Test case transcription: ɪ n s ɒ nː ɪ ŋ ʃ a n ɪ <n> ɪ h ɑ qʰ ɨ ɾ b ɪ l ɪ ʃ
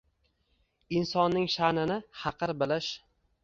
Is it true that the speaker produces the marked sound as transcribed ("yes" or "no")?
yes